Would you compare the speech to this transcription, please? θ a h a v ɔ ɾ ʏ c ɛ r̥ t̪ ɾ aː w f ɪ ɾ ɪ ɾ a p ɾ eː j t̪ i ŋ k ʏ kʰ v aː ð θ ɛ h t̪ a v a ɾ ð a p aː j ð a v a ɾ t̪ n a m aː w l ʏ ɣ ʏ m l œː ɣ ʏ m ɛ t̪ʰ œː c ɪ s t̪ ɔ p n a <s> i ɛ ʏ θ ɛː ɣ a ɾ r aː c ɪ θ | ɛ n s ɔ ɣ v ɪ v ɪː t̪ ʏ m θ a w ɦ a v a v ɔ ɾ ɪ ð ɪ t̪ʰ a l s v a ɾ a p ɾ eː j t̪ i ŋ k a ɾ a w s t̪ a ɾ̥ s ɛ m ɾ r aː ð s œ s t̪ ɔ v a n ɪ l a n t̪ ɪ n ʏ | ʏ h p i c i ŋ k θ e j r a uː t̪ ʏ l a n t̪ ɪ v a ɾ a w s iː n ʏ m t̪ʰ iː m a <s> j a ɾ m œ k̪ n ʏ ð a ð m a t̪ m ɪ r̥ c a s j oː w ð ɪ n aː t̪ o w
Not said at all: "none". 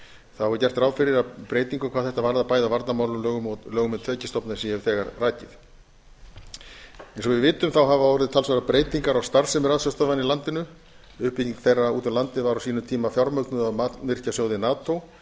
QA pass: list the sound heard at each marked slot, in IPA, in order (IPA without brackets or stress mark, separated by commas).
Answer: s, f